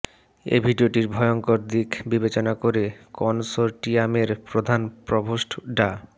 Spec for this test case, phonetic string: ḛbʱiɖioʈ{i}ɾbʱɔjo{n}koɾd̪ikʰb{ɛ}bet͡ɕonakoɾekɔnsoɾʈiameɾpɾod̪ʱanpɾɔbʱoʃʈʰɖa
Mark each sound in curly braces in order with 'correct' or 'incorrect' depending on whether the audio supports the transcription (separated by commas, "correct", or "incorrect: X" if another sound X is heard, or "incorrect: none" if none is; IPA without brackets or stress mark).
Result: correct, incorrect: ŋ, incorrect: i